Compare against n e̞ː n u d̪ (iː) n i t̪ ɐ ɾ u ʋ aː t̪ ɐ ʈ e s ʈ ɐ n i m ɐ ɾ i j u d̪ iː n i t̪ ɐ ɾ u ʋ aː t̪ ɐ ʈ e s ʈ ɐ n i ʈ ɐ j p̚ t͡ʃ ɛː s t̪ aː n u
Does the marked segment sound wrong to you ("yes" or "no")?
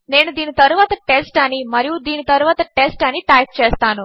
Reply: no